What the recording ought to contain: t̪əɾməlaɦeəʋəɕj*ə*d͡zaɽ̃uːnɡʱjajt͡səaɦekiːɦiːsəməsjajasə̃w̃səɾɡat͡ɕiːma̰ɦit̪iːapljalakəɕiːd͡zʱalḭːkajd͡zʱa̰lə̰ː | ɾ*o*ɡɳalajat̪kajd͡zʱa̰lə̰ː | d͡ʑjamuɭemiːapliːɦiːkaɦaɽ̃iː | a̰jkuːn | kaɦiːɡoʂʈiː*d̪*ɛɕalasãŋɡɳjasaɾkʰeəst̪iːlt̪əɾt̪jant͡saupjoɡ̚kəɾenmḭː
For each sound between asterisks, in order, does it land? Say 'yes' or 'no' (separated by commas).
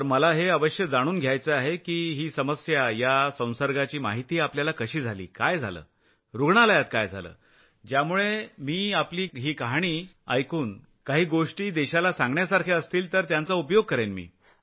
yes, no, yes